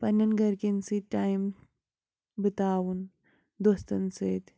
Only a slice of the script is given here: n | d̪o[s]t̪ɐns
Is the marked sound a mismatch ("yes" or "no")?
no